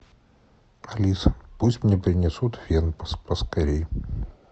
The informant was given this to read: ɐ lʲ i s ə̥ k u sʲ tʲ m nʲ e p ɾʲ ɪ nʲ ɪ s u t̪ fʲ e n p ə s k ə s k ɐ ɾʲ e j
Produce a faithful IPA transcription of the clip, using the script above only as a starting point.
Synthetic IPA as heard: ɐ lʲ i s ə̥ p u sʲ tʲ m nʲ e p ɾʲ ɪ nʲ ɪ s u t̪ vʲ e n p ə s p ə s k ɐ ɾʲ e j